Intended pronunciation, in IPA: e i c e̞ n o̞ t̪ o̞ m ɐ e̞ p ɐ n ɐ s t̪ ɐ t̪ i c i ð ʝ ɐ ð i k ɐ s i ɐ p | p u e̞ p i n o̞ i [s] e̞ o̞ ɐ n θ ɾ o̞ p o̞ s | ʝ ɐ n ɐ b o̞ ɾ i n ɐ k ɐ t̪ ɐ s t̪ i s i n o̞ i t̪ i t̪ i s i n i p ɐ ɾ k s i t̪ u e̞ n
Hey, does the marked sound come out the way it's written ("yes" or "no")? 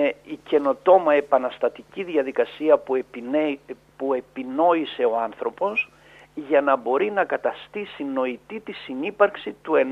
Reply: yes